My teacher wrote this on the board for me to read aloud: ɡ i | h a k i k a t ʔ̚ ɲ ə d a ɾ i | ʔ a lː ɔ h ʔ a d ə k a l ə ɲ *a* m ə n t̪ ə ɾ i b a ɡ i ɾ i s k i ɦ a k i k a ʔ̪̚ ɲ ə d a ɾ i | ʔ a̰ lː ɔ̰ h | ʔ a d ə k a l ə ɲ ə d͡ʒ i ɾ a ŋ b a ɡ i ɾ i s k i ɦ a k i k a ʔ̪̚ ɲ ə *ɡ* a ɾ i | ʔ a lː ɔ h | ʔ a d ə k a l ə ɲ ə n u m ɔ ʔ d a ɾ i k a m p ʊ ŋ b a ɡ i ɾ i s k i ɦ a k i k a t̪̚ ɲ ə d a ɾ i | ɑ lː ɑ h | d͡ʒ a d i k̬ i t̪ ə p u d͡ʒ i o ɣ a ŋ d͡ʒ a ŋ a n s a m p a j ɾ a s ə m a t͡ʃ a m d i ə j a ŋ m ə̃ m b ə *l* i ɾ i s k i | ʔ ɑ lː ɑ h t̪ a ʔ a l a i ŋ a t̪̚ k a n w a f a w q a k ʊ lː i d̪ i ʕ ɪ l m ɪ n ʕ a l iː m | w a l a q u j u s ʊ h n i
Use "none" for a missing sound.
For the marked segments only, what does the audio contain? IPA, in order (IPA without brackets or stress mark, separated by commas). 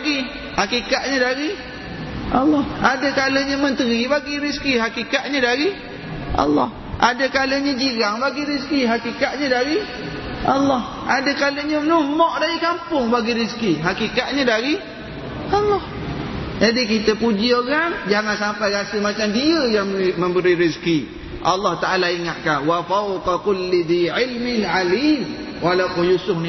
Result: ə, d, ɾ